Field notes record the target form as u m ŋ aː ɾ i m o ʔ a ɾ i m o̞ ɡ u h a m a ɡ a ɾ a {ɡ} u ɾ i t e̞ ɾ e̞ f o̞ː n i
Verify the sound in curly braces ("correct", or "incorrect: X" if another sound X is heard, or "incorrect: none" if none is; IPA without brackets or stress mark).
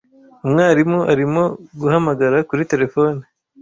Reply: incorrect: k